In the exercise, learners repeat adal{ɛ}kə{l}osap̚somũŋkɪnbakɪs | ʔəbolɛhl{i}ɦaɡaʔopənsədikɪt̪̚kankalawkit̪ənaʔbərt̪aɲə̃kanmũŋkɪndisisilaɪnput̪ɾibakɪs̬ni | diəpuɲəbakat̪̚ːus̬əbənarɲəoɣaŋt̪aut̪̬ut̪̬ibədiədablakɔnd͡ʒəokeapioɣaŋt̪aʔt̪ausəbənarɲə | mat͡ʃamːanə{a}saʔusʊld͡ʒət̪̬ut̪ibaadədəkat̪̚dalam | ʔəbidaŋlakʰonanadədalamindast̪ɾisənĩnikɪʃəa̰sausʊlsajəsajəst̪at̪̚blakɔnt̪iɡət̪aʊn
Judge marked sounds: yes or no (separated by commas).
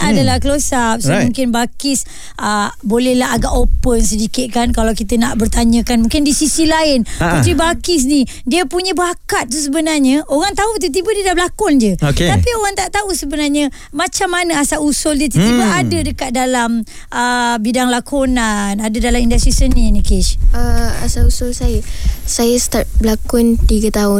no, yes, no, yes